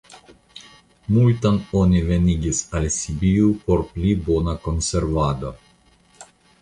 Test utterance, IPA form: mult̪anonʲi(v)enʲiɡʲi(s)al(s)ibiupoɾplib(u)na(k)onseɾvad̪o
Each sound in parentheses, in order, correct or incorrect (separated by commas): correct, correct, correct, incorrect, correct